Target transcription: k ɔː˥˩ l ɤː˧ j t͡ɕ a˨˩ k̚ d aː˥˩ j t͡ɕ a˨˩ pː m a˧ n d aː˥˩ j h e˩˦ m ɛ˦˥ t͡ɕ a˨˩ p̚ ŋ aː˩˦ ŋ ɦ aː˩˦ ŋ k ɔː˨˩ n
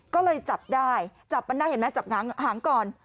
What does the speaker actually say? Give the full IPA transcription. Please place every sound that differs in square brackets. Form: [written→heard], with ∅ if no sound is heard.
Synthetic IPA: k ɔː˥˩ l ɤː˧ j t͡ɕ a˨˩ [k̚→p̚] d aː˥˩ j t͡ɕ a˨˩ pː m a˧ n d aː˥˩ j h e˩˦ m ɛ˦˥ t͡ɕ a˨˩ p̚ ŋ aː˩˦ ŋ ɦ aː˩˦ ŋ k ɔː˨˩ n